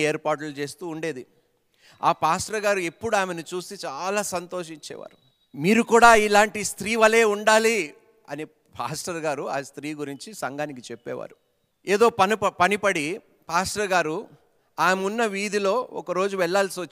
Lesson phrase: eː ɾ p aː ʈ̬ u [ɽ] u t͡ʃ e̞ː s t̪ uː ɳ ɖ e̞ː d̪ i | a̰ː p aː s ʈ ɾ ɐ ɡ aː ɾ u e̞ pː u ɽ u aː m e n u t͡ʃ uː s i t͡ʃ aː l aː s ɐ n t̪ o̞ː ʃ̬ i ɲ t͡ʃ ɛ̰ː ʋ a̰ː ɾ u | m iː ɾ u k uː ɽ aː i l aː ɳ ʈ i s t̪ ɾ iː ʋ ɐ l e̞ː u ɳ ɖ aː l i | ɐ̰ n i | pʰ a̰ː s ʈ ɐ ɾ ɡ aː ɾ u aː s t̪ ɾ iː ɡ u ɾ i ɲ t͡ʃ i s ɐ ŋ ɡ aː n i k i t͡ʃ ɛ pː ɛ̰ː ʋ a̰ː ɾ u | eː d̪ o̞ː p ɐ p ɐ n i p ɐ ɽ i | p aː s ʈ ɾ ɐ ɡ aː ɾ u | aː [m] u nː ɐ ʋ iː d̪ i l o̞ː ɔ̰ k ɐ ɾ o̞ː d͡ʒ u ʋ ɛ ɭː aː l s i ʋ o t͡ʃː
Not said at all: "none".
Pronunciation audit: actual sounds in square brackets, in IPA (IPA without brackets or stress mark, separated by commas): l, m